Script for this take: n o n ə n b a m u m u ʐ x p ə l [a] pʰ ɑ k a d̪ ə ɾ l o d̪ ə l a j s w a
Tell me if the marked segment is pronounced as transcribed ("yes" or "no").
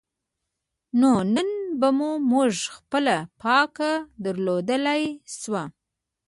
yes